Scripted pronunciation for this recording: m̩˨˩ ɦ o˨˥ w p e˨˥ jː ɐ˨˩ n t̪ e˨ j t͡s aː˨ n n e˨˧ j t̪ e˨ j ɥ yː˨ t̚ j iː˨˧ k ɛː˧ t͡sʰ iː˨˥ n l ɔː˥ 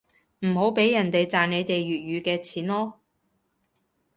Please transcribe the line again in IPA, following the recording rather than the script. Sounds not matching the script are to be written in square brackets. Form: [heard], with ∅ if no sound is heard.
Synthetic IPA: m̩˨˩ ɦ o˨˥ w p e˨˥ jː ɐ˨˩ n t̪ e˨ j t͡s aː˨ n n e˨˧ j t̪ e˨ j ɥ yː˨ t̚ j [yː˨˧] k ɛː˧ t͡sʰ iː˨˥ n l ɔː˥